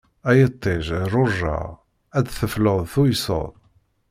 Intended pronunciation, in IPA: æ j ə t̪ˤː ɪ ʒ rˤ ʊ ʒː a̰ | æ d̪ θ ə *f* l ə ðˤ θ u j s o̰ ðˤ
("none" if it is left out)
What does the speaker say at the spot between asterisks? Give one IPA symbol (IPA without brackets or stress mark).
f